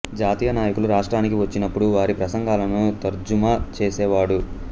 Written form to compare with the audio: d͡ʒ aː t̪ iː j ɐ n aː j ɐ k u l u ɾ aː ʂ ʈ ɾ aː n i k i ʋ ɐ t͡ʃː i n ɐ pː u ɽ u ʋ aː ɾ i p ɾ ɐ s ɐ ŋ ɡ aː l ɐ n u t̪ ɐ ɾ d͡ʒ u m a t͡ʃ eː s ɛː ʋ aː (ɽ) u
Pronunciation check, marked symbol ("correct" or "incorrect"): correct